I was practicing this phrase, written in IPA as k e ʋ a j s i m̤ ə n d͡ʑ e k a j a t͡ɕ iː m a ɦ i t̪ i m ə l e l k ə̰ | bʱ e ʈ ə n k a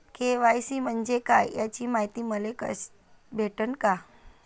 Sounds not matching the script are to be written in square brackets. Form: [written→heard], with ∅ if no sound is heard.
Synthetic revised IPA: k e ʋ a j s i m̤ ə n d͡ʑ e k a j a t͡ɕ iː m a ɦ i t̪ i m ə l e [l→∅] k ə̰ | bʱ e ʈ ə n k a